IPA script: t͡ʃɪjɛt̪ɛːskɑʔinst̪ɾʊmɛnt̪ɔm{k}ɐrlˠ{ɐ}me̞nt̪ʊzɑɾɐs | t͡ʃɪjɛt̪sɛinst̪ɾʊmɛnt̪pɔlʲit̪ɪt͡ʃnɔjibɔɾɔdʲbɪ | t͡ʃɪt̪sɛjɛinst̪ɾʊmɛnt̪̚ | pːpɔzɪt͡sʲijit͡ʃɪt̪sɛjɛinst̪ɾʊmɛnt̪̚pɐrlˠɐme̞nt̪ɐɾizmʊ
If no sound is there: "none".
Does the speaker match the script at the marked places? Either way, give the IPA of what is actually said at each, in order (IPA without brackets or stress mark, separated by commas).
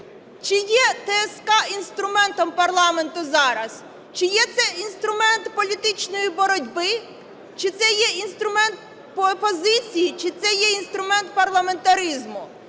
p, ɑ